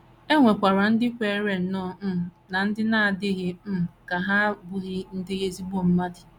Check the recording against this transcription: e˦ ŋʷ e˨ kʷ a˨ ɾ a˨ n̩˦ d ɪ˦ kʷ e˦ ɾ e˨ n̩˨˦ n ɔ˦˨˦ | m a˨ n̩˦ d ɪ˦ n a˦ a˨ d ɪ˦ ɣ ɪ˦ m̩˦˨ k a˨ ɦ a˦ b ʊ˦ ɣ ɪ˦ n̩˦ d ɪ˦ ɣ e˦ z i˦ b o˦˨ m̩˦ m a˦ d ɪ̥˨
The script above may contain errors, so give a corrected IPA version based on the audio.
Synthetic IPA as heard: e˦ ŋʷ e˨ kʷ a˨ ɾ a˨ n̩˦ d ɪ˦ kʷ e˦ ɾ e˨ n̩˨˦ n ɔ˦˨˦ | n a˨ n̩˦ d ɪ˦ n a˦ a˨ d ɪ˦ ɣ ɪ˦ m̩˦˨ k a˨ ɦ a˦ b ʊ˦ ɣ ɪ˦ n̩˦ d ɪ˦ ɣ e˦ z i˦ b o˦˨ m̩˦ m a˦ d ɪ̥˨